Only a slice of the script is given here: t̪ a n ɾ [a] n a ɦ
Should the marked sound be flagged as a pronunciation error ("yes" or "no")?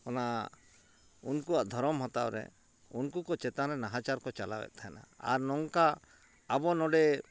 yes